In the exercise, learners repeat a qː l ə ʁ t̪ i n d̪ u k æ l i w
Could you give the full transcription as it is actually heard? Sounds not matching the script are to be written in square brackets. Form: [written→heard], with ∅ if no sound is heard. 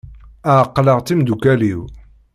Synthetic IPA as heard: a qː l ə ʁ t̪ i [n→m] d̪ u k æ l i w

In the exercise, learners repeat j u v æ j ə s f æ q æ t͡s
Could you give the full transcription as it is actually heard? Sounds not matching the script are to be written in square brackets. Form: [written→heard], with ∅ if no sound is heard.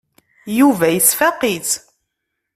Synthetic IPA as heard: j u v æ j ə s f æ q [æ→i] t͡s

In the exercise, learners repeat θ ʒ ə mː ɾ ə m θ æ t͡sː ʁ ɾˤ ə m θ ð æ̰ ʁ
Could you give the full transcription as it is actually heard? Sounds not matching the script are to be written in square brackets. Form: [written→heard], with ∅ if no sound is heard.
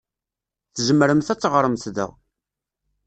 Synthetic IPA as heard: θ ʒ ə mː ɾ ə m θ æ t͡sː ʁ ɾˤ ə m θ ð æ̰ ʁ

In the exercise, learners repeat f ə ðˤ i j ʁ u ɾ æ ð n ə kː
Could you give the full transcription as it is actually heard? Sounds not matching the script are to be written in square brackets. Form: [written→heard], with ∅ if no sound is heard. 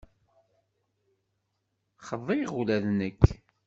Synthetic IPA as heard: [f→χ] ə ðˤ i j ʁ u [ɾ→l] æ ð n ə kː

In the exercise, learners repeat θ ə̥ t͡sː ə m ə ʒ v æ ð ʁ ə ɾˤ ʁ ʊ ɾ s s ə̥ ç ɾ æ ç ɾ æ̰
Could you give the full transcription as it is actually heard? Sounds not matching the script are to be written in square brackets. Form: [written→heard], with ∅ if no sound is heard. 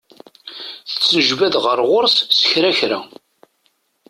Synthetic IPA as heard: θ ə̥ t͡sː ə [m→n] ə ʒ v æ ð ʁ ə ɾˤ ʁ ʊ ɾ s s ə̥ ç ɾ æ ç ɾ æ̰

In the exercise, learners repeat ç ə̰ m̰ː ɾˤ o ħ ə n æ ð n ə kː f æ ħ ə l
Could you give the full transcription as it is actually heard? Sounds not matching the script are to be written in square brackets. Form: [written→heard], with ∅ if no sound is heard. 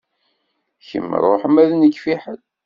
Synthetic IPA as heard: ç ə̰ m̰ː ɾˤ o ħ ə [n→m] æ ð n ə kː f [æ→i] ħ ə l

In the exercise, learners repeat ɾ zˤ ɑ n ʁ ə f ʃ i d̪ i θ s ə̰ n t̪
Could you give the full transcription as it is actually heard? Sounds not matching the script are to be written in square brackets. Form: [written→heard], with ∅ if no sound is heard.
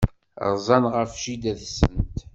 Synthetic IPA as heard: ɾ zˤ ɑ n ʁ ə f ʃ i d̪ [i→æ] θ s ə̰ n t̪

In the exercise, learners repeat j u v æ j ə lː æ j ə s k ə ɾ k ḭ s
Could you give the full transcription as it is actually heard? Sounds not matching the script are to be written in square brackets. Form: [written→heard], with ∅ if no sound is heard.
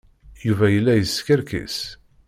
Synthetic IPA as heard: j u v æ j ə lː æ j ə s k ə ɾ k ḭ s

